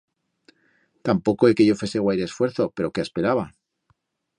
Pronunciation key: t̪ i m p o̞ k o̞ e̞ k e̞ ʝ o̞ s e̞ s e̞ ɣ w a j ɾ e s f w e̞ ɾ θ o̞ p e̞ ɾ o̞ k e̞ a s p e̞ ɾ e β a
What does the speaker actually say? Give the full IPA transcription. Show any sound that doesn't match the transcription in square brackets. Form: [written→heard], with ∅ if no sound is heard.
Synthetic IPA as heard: t̪ [i→a] m p o̞ k o̞ e̞ k e̞ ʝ o̞ [s→f] e̞ s e̞ ɣ w a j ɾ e s f w e̞ ɾ θ o̞ p e̞ ɾ o̞ k e̞ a s p e̞ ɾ [e→a] β a